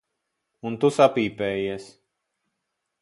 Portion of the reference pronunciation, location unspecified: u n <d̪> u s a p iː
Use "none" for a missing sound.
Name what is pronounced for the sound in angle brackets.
t̪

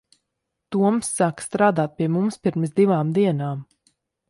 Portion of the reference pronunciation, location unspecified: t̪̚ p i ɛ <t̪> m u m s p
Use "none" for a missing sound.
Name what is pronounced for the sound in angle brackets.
none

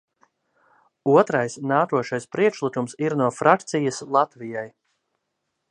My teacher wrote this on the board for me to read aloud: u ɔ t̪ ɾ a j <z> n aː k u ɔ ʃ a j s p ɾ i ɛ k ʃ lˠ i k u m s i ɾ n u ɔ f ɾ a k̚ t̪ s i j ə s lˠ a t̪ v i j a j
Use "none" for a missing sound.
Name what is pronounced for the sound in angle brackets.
s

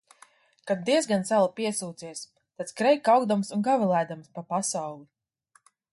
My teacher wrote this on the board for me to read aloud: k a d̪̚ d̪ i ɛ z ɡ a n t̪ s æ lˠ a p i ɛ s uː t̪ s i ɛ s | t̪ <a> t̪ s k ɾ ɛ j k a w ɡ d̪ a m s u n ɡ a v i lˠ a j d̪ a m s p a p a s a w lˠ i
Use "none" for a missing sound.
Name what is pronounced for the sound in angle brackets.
a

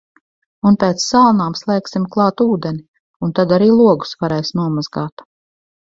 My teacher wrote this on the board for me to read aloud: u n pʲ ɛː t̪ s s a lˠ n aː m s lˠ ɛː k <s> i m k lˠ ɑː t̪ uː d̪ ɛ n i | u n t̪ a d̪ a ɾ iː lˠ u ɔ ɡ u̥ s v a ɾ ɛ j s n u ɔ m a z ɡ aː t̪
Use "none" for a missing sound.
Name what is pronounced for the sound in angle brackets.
s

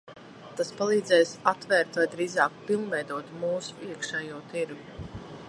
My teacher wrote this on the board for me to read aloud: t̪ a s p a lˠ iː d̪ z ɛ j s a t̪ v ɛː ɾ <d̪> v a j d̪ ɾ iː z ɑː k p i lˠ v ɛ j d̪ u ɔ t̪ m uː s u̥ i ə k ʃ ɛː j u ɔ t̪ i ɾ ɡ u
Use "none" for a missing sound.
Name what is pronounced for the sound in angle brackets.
t̪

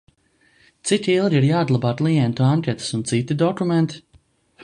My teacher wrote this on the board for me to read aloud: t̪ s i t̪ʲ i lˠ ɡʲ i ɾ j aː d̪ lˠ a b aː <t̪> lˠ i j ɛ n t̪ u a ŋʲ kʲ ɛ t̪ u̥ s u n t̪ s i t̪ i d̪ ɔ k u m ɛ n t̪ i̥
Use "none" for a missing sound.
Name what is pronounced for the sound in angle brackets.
t̪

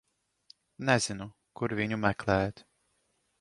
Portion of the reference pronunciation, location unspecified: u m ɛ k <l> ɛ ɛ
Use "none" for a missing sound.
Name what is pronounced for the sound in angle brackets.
l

